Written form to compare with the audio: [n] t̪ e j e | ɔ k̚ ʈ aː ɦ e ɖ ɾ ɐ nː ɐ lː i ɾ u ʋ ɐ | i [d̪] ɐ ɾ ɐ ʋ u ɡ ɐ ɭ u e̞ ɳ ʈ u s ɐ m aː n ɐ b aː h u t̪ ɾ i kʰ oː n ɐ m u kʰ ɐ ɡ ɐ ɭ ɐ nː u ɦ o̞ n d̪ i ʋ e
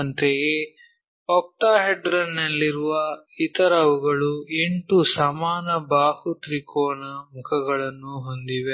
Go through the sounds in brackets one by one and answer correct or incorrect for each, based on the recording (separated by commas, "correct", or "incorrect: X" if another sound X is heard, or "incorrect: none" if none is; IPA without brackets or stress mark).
correct, incorrect: t̪